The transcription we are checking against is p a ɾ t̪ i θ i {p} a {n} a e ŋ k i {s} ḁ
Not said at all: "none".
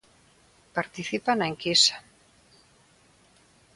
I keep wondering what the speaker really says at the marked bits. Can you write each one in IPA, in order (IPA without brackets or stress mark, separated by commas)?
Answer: p, n, s